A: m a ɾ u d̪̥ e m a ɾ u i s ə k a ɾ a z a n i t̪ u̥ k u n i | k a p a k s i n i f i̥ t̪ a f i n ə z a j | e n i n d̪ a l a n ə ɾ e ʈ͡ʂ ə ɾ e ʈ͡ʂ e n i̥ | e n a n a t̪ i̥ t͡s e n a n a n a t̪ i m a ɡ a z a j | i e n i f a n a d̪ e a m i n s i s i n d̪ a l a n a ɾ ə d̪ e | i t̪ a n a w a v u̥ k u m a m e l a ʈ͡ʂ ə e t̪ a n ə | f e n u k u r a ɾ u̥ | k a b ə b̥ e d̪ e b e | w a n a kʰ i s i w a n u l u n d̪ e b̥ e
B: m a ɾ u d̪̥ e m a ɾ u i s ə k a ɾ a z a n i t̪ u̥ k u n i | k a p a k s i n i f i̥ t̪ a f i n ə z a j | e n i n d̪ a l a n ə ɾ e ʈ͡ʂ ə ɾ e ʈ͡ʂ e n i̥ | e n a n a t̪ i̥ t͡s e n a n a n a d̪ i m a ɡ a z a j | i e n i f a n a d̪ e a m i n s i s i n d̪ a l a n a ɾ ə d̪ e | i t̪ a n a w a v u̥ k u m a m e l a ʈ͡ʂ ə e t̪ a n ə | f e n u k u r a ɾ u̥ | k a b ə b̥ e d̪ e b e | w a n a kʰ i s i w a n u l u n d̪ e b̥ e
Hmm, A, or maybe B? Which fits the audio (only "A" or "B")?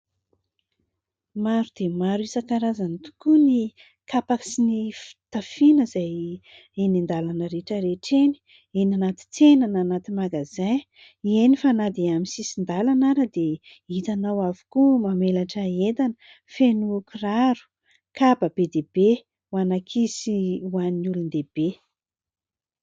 A